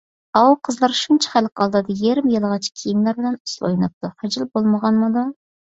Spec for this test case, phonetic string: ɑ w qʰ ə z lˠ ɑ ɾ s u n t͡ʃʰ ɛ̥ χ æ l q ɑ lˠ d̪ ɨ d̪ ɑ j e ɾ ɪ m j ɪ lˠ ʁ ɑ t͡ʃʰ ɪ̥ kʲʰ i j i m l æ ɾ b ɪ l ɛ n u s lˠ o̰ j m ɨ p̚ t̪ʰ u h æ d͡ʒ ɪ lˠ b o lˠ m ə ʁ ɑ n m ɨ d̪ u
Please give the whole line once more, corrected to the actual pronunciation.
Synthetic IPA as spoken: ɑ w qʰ ə z lˠ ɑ ɾ ʃ u n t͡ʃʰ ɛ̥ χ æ l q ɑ lˠ d̪ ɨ d̪ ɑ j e ɾ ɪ m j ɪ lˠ ʁ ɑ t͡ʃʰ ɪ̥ kʲʰ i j i m l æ ɾ b ɪ l ɛ n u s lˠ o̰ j n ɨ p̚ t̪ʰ u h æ d͡ʒ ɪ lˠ b o lˠ m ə ʁ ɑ n m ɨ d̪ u